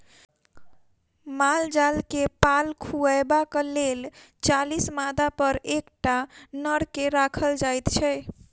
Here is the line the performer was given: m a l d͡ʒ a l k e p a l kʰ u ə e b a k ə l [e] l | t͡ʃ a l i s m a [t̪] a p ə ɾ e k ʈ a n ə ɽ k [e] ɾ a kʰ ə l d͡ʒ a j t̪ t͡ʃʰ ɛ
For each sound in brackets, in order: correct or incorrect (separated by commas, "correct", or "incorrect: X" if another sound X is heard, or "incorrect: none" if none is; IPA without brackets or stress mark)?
correct, incorrect: d̪, correct